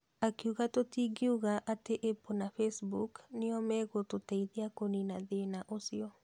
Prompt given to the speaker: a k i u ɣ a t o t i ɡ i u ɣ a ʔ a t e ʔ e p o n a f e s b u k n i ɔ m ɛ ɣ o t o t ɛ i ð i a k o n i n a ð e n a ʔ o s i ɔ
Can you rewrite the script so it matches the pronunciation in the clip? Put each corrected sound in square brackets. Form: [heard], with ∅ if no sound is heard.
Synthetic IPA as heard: a k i u ɣ a t o t i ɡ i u ɣ a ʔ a t e ʔ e p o n a f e s b u k n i ɔ m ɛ ɣ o t o t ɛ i ð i a k o n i n a ð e n a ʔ o s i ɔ